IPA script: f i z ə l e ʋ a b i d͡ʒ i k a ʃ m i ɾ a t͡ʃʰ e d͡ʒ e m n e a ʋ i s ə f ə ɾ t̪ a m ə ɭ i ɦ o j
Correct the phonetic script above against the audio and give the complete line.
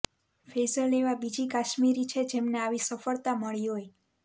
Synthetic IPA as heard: f e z ə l e ʋ a b i d͡ʒ i k a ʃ m i ɾ i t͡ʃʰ e d͡ʒ e m n e a ʋ i s ə f ə ɭ t̪ a m ə ɭ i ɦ o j